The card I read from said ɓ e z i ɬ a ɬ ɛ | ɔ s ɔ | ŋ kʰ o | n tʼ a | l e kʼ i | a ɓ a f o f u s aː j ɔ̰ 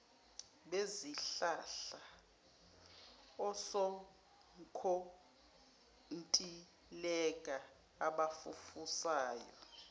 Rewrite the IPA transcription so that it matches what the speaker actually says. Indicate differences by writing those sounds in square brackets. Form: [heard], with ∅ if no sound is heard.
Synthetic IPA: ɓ e z i ɬ a ɬ [a] | ɔ s ɔ | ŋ kʰ o | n tʼ [i] | l [ɛ] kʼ [a] | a ɓ a f [u] f u s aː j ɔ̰